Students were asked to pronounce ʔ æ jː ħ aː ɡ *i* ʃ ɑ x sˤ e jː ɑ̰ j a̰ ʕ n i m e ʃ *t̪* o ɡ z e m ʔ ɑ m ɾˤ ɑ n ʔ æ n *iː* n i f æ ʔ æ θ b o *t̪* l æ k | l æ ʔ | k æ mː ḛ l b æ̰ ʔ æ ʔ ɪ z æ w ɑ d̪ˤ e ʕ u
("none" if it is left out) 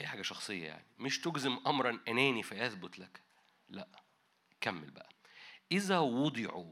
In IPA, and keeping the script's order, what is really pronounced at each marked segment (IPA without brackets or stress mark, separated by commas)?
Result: æ, t̪, æː, t̪